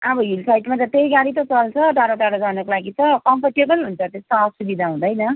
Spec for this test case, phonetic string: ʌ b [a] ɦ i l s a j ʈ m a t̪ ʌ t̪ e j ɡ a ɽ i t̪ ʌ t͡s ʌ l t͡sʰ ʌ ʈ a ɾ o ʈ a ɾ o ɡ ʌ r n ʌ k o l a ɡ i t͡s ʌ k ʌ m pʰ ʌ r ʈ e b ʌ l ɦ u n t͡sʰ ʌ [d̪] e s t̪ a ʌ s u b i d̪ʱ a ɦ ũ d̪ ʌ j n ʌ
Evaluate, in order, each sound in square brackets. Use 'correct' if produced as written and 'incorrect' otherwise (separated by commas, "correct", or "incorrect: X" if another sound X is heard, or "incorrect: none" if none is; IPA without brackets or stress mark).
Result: incorrect: ʌ, incorrect: t̪